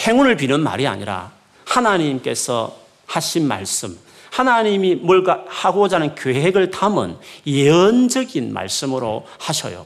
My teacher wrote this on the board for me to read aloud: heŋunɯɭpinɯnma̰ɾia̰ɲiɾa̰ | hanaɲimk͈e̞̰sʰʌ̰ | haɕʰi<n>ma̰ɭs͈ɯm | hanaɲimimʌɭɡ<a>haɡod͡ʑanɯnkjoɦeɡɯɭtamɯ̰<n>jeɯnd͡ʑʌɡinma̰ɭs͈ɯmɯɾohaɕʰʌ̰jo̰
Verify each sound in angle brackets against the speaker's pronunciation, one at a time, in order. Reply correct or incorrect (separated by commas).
correct, correct, correct